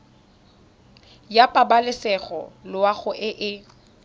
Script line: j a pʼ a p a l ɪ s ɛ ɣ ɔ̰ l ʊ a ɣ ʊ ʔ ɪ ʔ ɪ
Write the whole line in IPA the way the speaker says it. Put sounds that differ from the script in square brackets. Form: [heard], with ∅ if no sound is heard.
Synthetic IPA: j a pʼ a [b] a l ɪ s ɛ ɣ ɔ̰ l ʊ a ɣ ʊ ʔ ɪ ʔ ɪ